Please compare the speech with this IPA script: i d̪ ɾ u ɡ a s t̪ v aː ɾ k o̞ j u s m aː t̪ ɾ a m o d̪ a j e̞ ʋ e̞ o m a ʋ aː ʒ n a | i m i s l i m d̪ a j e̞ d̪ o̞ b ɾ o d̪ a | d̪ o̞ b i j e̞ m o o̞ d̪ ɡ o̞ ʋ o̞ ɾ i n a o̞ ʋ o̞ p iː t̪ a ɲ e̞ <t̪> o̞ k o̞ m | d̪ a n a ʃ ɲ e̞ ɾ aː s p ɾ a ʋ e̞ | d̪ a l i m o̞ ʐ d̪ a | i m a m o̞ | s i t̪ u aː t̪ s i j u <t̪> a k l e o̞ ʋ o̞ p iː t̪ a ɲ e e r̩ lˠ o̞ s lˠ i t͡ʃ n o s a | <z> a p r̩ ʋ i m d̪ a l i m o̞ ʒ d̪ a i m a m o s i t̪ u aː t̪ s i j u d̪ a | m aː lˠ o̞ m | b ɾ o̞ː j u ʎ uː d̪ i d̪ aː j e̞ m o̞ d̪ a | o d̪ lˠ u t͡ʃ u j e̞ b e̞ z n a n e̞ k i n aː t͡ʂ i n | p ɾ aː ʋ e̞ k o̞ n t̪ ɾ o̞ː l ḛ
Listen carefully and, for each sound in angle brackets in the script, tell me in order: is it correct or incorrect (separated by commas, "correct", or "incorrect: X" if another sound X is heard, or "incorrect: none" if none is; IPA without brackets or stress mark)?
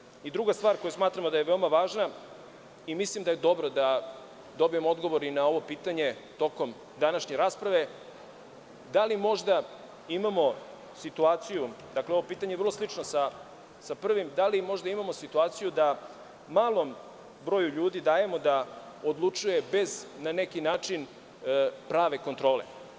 correct, incorrect: d̪, incorrect: s